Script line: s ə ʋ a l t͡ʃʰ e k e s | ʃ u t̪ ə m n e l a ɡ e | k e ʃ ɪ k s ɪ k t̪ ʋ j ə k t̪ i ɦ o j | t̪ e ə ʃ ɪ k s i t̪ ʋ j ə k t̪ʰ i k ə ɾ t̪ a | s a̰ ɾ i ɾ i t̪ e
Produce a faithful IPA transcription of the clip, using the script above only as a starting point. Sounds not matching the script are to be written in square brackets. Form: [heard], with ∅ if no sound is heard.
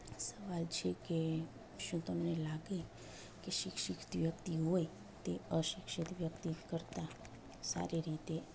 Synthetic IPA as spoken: s ə ʋ a l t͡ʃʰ e k e [∅] | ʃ [ũ] t̪ ə m n e l a ɡ e | k e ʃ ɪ k [ʃ] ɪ k t̪ ʋ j ə k t̪ i ɦ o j | t̪ e ə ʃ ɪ k [ʃ] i t̪ ʋ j ə k [t̪] i k ə ɾ t̪ a | s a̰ ɾ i ɾ i t̪ e